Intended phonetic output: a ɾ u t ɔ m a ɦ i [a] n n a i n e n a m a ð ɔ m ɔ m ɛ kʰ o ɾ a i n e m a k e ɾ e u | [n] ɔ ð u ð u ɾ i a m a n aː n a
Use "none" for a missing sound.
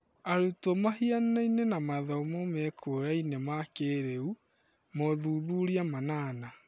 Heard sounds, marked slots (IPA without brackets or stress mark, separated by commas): a, m